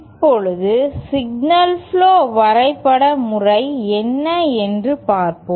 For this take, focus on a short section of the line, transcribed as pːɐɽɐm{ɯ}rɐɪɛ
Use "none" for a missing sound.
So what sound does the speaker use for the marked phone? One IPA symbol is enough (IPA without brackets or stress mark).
ʊ